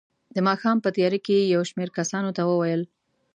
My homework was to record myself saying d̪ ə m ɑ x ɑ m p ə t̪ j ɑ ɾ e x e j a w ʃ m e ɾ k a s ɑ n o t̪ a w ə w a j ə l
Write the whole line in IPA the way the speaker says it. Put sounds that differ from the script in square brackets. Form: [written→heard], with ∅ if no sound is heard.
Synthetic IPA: d̪ ə m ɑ x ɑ m p ə t̪ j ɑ ɾ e [x→k] e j a w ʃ m e ɾ k a s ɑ n o t̪ a w ə w a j ə l